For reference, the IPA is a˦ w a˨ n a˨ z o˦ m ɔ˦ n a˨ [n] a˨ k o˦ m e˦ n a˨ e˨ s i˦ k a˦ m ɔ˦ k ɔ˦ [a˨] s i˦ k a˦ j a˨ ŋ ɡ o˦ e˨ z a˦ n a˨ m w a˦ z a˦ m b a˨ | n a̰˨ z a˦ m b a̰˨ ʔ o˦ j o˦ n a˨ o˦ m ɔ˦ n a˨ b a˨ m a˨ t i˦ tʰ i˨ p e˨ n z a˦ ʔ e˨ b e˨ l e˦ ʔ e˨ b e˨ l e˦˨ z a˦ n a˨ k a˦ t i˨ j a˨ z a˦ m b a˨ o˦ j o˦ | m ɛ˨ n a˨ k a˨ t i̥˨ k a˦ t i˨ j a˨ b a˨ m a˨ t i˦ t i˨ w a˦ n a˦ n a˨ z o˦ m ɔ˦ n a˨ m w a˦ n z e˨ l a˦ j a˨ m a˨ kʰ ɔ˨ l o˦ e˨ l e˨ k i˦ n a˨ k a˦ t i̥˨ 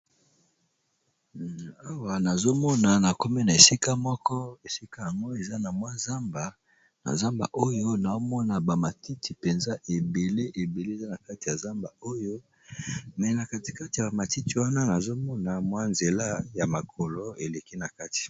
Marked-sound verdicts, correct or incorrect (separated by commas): correct, incorrect